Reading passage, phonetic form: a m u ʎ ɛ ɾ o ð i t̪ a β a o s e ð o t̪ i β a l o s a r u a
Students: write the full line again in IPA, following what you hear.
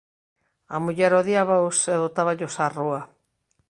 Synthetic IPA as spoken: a m u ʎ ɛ ɾ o ð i a β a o s e ð o t̪ a β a ʎ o s a r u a